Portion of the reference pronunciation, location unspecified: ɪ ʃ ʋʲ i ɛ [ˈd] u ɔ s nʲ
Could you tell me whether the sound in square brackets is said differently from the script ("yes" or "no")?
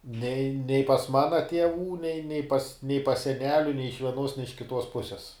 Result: yes